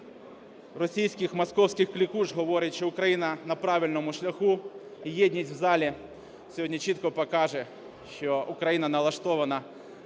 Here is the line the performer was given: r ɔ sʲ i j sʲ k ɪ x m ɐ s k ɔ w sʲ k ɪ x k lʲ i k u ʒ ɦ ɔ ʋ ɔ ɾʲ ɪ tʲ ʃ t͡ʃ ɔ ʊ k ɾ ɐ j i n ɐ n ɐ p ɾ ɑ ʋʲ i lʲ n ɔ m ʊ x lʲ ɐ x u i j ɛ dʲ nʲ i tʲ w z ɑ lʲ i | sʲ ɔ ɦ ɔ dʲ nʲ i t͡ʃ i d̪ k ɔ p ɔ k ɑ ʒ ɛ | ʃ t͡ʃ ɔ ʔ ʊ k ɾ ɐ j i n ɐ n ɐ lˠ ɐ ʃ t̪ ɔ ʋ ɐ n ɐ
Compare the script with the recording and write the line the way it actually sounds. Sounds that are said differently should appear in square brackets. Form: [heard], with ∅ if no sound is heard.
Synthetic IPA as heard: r ɔ sʲ i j sʲ k ɪ x m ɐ s k ɔ w sʲ k ɪ x k lʲ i k u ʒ ɦ ɔ ʋ ɔ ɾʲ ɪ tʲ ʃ t͡ʃ ɔ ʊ k ɾ ɐ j i n ɐ n ɐ p ɾ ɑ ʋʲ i lʲ n ɔ m ʊ [ʃ] lʲ ɐ x u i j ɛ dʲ nʲ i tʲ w z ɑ lʲ i | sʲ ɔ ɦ ɔ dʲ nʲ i t͡ʃ i [t̪] k ɔ p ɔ k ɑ ʒ ɛ | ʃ t͡ʃ ɔ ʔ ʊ k ɾ ɐ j i n ɐ n ɐ lˠ ɐ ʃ t̪ ɔ ʋ ɐ n ɐ

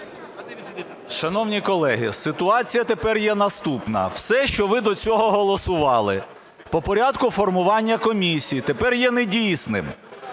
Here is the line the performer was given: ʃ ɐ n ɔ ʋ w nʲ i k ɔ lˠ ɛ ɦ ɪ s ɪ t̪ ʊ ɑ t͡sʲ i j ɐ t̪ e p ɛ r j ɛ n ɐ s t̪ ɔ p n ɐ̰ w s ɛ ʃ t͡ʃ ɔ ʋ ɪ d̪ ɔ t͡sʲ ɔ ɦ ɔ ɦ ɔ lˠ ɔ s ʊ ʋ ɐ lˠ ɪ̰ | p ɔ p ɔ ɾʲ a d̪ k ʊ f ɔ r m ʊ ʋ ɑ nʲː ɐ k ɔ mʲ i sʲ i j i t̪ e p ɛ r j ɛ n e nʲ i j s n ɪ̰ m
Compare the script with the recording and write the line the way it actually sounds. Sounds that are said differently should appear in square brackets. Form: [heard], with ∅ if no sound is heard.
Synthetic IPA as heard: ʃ ɐ n ɔ [∅] w nʲ i k ɔ lˠ ɛ ɦ ɪ s ɪ t̪ ʊ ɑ t͡sʲ i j ɐ t̪ e p ɛ r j ɛ n ɐ s t̪ [u] p n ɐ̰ w s ɛ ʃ t͡ʃ ɔ ʋ ɪ d̪ ɔ t͡sʲ ɔ ɦ ɔ ɦ ɔ lˠ ɔ s ʊ ʋ [ɑ] lˠ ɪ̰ | p ɔ p ɔ ɾʲ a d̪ k ʊ f ɔ r m ʊ ʋ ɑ nʲː ɐ k ɔ mʲ i sʲ i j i t̪ e p ɛ r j ɛ n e [dʲ] i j s n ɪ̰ m

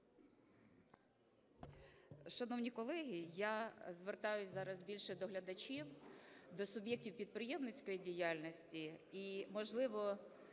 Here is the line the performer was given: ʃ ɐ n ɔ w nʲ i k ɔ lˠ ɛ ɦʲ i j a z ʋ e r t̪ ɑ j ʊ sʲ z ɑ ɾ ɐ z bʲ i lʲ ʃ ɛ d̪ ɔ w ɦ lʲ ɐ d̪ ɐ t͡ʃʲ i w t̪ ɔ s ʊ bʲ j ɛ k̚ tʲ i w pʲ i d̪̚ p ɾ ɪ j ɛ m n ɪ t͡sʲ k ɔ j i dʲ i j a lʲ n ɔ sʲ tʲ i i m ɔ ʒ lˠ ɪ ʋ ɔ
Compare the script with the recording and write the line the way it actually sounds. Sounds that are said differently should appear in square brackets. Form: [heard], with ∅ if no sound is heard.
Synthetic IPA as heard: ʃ ɐ n ɔ w nʲ i k ɔ lˠ ɛ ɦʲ i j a z ʋ e r t̪ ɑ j ʊ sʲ z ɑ ɾ ɐ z bʲ i lʲ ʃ ɛ d̪ ɔ [∅] ɦ lʲ ɐ d̪ ɐ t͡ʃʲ i w [d̪] ɔ s ʊ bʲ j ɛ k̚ tʲ i w pʲ i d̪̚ p ɾ ɪ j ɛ m n ɪ t͡sʲ k ɔ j i dʲ i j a lʲ n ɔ sʲ tʲ i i m ɔ ʒ lˠ ɪ ʋ ɔ

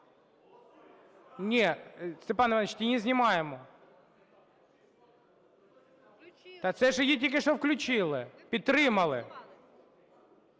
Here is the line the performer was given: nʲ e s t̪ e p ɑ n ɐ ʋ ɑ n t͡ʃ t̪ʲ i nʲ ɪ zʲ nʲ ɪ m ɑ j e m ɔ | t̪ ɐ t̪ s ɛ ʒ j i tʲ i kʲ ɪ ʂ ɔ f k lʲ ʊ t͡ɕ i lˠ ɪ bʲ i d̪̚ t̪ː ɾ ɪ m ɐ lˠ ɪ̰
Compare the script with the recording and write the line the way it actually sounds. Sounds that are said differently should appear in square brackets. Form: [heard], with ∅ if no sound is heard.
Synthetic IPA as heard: nʲ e s t̪ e p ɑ n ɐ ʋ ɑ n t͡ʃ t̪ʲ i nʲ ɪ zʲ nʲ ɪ m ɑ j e m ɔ | t̪ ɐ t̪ s ɛ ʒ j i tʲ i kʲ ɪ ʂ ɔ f k lʲ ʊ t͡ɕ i lˠ ɪ [pʲ] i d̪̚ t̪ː ɾ ɪ m ɐ lˠ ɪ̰

